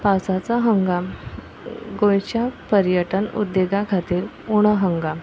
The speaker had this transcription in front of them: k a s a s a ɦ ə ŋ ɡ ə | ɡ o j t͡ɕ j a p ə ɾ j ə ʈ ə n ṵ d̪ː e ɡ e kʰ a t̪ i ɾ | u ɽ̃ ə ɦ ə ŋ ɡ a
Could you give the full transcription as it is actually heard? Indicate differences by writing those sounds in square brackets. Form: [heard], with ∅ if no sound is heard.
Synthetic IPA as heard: [p] a s a [t͡s] a ɦ ə ŋ ɡ [a] | ɡ o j t͡ɕ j a p ə ɾ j ə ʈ ə n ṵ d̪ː e ɡ [a] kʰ a t̪ [iː] ɾ | u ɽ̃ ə ɦ ə ŋ ɡ a

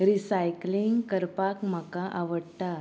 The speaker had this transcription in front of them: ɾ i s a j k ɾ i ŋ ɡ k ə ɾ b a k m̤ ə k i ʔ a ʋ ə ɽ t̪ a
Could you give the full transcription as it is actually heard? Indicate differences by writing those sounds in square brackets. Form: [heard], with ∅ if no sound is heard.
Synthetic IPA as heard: ɾ i s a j k [l] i ŋ ɡ k ə ɾ [p] a k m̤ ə k [a] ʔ a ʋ ə ɽ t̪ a

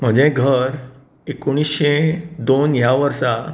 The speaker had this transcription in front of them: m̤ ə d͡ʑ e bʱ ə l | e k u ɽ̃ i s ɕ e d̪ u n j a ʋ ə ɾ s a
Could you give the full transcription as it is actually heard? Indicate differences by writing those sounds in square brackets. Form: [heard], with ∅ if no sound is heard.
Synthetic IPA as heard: m̤ ə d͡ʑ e [ɡʱ] ə [ɾ] | e k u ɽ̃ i s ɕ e d̪ [o] n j a ʋ ə ɾ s a

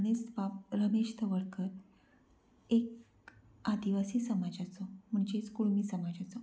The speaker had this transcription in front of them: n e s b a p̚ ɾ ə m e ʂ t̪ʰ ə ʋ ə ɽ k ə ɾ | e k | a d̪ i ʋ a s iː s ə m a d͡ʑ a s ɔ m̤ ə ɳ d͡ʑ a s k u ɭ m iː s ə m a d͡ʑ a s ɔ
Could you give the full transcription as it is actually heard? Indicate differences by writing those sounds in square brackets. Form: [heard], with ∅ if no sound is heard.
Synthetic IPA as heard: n e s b a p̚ ɾ ə m e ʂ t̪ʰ ə ʋ ə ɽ k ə ɾ | e k | a d̪ i ʋ a s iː s ə m a d͡ʑ a [t͡s] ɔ m̤ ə ɳ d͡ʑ [e] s k u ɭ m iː s ə m a d͡ʑ a [t͡s] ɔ

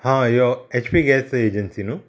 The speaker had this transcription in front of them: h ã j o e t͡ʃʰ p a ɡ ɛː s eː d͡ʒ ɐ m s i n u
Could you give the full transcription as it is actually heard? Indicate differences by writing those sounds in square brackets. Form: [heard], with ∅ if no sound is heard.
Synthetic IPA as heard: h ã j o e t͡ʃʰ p [i] ɡ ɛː s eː d͡ʒ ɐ [n] s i n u

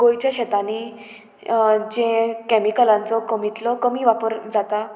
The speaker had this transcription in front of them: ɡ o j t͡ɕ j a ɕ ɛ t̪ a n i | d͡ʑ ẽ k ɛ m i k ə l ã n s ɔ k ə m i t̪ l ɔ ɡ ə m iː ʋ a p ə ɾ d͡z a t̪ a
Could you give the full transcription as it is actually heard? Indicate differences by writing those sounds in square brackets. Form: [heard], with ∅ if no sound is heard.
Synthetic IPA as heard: ɡ o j t͡ɕ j a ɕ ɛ t̪ a n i | d͡ʑ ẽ k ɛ m i k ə l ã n [t͡s] ɔ k ə m i t̪ l ɔ [k] ə m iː ʋ a p ə ɾ d͡z a t̪ a

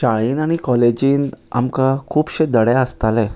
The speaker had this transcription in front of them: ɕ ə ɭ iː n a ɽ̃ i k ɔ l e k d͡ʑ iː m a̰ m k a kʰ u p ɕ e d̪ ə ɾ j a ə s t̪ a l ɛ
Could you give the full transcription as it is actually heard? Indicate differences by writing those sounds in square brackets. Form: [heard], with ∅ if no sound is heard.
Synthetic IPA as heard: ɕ [a] ɭ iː n a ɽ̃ i k ɔ l e [∅] d͡ʑ iː [n] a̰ m k a kʰ [uː] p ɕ e d̪ ə [ɽ] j a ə s t̪ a l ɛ

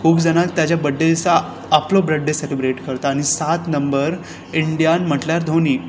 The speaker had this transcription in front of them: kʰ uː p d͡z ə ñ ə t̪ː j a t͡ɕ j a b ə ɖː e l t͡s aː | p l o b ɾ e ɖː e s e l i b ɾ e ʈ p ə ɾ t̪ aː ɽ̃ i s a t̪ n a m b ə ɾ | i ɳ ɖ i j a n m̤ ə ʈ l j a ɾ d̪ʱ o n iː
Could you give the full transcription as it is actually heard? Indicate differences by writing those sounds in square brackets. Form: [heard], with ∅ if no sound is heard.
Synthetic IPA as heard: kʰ uː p d͡z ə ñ [a] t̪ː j a t͡ɕ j a b ə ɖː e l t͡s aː | p l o b ɾ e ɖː e s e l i b ɾ e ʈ [k] ə ɾ t̪ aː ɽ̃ i s a t̪ n [ə] m b ə ɾ | i ɳ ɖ i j a n m̤ ə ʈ l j a ɾ d̪ʱ o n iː

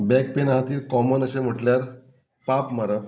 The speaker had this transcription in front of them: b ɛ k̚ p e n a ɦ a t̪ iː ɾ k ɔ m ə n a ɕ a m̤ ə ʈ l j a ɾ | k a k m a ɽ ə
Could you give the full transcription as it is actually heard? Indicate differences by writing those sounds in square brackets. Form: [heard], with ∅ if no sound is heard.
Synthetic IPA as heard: b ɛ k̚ p e n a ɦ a t̪ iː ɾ k ɔ m ə n [ə] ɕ [e] m̤ ə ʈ l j a ɾ | [p] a [p] m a [ɾ] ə

